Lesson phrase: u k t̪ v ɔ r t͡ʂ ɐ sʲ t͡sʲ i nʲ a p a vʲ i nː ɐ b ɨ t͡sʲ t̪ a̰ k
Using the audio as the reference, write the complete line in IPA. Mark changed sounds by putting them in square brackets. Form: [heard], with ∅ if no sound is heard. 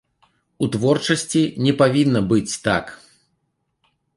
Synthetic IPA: u [∅] t̪ v ɔ r t͡ʂ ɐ sʲ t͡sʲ i nʲ [ɛ] p a vʲ i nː ɐ b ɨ t͡sʲ t̪ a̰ k